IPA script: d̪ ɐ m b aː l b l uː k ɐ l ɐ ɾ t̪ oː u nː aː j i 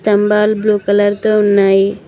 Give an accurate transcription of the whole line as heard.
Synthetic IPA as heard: t̪ ɐ m b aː l b l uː k ɐ l ɐ ɾ t̪ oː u nː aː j i

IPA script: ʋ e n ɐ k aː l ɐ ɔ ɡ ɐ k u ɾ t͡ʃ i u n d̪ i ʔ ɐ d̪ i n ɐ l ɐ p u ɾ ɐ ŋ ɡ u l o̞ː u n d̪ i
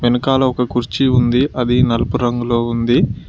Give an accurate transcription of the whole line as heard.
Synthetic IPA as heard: ʋ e n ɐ k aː l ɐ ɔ k ɐ k u ɾ t͡ʃ i u n d̪ i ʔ ɐ d̪ i n ɐ l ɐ p u ɾ ɐ ŋ ɡ u l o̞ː u n d̪ i

